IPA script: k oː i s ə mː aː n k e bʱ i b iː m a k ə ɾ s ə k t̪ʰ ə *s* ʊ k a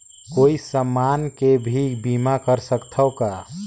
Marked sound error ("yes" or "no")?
yes